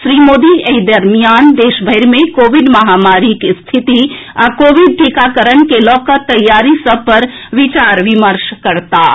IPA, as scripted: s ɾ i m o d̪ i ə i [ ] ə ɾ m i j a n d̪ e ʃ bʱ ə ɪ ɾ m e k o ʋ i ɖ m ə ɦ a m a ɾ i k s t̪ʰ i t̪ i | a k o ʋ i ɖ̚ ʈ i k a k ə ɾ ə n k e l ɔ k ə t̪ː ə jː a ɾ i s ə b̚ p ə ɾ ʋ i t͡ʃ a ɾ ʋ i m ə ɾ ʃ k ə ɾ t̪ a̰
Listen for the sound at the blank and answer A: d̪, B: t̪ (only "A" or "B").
A